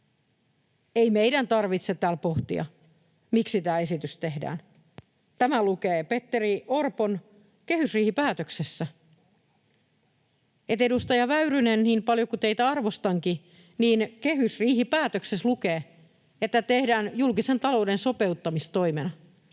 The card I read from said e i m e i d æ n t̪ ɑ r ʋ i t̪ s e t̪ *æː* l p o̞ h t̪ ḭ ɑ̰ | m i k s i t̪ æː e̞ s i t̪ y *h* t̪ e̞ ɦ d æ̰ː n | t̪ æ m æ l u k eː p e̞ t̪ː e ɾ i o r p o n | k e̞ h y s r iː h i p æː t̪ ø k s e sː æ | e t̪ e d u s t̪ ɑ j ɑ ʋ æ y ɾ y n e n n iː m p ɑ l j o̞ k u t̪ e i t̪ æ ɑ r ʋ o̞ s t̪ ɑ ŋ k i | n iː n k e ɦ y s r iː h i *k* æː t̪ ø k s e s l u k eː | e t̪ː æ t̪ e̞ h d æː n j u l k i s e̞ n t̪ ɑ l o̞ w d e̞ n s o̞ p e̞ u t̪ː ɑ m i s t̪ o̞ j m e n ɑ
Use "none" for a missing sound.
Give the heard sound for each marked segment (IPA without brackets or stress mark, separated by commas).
æː, s, p